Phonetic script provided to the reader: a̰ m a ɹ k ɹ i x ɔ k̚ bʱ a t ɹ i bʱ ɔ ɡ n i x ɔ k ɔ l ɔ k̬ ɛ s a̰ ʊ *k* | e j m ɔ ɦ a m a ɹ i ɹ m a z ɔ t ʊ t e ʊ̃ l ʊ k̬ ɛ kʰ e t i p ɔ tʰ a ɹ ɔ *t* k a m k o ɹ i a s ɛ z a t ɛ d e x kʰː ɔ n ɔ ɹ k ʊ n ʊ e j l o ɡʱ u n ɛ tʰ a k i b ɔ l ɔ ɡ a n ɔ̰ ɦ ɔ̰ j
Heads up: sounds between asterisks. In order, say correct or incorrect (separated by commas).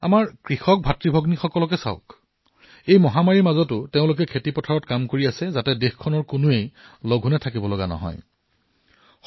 correct, correct